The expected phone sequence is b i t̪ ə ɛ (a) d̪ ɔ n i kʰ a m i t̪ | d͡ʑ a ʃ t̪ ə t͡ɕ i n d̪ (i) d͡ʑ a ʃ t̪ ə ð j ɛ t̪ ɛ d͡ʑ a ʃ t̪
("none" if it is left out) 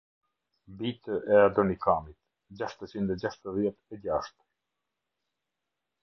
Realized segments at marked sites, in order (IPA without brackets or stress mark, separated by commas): a, ɛ